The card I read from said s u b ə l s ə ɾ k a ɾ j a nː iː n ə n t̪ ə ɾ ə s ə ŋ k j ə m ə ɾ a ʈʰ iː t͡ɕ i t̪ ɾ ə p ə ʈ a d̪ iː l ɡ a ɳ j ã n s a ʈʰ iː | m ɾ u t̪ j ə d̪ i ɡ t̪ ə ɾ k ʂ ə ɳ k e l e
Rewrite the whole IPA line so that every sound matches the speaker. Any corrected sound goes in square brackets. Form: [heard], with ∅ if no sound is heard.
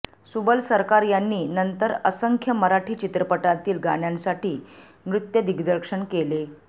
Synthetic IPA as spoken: s u b ə l s ə ɾ k a ɾ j a nː iː n ə n t̪ ə ɾ ə s ə ŋ [kʰ] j ə m ə ɾ a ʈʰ iː t͡ɕ i t̪ ɾ ə p ə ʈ a [t̪] iː l ɡ a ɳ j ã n s a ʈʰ iː | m ɾ u t̪ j ə d̪ i ɡ [d̪] ə ɾ k ʂ ə ɳ k e l e